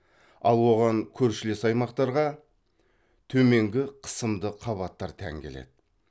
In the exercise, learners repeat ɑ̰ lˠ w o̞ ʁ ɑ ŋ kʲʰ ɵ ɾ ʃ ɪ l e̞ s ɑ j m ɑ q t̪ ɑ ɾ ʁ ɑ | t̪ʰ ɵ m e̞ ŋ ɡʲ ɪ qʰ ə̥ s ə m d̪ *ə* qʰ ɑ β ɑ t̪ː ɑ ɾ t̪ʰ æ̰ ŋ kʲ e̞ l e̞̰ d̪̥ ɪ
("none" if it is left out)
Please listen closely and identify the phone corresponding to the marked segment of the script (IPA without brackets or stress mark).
ə